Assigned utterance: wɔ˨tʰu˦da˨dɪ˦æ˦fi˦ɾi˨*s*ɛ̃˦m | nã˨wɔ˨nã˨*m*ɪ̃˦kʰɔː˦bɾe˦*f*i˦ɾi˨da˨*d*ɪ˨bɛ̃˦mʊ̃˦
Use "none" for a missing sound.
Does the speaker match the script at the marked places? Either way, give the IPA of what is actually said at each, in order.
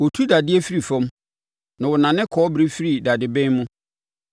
f, n, f, d

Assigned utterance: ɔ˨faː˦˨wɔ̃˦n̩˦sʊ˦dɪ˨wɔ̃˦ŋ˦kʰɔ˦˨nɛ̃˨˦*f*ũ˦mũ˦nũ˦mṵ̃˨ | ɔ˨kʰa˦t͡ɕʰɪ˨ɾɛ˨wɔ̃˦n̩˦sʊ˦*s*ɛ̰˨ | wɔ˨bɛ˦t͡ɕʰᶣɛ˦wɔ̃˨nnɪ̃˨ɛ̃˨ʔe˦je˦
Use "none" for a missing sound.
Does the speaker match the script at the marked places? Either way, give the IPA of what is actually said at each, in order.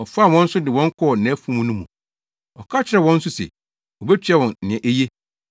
f, s

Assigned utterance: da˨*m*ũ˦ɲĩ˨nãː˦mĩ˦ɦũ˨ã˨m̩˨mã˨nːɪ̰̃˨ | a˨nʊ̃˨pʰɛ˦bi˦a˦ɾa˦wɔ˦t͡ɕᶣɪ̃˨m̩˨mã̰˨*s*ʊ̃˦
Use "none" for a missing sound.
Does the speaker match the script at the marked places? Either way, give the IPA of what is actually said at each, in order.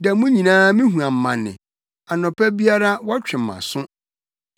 m, s

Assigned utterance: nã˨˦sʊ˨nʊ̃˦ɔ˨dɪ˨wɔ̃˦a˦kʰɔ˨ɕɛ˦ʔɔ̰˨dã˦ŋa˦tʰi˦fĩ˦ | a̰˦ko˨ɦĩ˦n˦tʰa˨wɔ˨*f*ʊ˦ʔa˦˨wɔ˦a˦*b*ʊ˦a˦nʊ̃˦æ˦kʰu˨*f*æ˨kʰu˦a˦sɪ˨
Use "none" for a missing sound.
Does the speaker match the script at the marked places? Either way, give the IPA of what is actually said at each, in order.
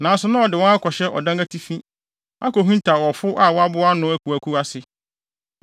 f, b, none

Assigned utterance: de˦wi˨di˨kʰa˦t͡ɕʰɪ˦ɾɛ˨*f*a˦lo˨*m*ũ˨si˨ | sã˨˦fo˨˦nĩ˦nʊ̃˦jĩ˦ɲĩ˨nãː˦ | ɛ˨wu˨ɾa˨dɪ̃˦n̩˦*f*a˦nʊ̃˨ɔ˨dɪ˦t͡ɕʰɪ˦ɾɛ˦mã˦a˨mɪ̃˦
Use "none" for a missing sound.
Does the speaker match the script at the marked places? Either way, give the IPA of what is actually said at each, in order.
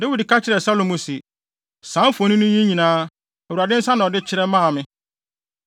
s, m, s

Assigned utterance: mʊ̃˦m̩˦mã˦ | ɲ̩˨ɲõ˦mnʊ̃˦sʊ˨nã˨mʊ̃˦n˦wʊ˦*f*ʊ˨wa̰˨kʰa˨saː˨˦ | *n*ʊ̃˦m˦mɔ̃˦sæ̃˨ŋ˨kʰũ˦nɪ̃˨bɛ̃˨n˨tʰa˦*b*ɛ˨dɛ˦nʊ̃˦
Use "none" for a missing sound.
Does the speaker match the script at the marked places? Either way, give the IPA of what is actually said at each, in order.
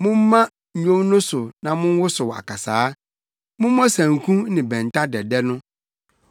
s, m, d

